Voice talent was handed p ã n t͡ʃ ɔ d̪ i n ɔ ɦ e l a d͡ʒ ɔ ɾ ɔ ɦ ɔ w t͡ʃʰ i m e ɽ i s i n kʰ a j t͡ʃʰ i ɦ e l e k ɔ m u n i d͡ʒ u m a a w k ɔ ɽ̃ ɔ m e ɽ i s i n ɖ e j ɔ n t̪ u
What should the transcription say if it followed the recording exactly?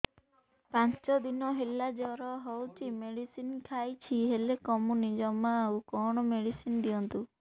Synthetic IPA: p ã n t͡ʃ ɔ d̪ i n ɔ ɦ e l a d͡ʒ ɔ ɾ ɔ ɦ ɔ w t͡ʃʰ i m e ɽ i s i n kʰ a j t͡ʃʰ i ɦ e l e k ɔ m u n i d͡ʒ ɔ m a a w k ɔ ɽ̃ ɔ m e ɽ i s i n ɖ i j ɔ n t̪ u